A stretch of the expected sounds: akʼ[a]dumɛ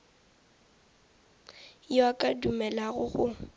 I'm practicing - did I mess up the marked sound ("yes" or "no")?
no